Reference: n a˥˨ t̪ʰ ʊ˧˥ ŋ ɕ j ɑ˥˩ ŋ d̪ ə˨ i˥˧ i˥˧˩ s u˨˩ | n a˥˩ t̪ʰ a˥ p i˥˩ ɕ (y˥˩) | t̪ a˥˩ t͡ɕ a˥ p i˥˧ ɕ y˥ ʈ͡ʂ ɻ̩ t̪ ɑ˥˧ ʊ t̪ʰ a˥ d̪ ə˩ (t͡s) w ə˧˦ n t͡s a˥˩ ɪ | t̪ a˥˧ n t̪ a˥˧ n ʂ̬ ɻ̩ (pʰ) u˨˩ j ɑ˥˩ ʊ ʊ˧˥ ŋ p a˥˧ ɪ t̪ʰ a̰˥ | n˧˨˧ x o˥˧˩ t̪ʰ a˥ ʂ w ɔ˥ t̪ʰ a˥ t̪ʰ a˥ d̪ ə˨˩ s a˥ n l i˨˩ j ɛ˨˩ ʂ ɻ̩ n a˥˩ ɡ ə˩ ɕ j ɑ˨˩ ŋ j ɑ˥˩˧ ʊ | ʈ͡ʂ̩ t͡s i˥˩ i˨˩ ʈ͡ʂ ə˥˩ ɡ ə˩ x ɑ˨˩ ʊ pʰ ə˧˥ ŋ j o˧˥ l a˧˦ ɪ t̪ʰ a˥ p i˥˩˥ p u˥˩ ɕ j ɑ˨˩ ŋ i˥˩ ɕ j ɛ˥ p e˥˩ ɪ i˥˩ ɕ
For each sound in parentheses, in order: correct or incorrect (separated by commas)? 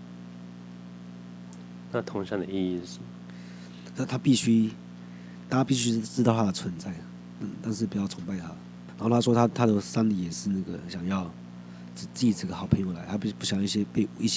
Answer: incorrect, incorrect, incorrect